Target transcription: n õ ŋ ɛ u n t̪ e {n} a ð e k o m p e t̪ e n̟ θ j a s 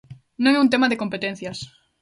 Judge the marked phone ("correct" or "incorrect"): incorrect